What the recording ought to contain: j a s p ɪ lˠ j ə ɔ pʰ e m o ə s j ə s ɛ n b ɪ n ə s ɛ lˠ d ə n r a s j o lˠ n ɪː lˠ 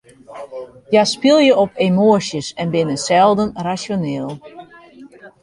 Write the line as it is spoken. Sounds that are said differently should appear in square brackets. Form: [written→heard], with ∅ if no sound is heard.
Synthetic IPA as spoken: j a s p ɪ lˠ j ə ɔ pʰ e m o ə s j ə s ɛ n b ɪ n ə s ɛ lˠ d ə n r a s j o [lˠ→∅] n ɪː lˠ